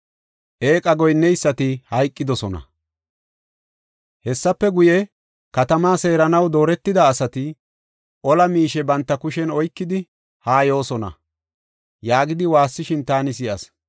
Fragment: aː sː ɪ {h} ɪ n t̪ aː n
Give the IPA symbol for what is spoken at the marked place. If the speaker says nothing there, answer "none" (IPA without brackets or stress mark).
ʃ